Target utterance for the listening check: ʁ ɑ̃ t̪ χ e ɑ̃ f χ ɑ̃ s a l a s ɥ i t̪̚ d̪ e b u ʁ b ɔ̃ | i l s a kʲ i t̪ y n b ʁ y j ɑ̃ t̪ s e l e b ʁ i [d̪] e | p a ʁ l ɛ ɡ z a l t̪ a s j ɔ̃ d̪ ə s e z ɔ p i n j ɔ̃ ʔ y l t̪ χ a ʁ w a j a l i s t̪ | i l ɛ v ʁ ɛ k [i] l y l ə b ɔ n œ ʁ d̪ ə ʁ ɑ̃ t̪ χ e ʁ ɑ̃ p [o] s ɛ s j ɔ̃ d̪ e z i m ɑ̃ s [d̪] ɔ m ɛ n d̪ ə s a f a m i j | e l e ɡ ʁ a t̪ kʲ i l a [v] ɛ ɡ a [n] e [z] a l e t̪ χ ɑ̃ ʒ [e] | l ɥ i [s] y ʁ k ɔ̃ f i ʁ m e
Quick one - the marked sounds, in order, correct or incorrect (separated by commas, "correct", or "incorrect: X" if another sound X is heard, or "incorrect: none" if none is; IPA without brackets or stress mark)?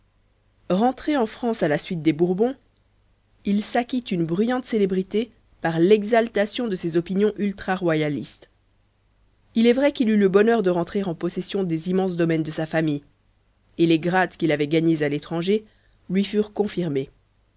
incorrect: t̪, correct, incorrect: ɔ, correct, correct, incorrect: ɲ, correct, correct, incorrect: f